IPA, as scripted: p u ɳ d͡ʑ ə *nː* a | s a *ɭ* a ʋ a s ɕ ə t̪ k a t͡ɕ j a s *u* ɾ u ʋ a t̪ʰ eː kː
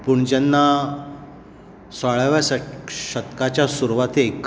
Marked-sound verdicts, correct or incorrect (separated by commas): correct, correct, correct